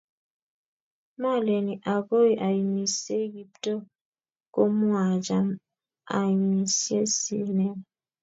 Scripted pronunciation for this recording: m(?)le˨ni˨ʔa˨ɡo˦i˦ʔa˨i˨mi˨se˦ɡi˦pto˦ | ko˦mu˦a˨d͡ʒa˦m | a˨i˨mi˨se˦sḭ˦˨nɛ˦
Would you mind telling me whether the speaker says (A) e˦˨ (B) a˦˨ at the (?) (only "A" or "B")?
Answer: B